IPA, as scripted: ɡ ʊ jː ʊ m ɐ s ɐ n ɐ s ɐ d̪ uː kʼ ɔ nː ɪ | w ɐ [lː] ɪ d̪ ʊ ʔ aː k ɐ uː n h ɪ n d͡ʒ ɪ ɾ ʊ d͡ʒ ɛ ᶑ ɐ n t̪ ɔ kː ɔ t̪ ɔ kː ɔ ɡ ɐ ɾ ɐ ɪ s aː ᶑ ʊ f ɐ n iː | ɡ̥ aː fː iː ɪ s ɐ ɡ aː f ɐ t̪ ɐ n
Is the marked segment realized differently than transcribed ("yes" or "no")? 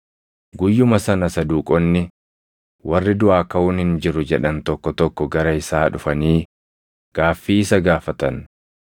yes